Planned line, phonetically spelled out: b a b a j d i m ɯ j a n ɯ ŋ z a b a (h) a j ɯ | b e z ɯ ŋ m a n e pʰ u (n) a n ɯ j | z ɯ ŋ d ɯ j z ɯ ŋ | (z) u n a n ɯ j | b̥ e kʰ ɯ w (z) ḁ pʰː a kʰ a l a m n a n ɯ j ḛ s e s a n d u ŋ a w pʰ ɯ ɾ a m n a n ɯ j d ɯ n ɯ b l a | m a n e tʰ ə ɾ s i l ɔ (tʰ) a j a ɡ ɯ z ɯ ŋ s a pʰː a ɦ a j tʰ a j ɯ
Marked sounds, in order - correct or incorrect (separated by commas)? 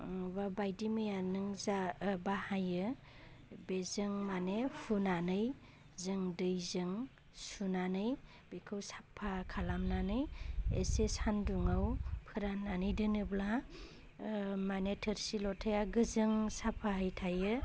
correct, correct, incorrect, incorrect, correct